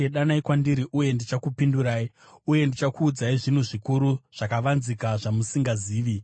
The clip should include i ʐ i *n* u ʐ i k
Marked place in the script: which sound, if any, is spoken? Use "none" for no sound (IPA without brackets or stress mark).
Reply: n